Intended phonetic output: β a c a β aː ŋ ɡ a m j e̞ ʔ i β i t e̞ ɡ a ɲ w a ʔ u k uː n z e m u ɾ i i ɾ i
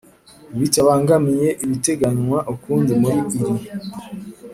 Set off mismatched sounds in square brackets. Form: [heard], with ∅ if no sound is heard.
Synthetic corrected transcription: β [i] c a β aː ŋ ɡ a m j e̞ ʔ i β i t e̞ ɡ a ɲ w a ʔ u k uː n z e m u ɾ i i ɾ i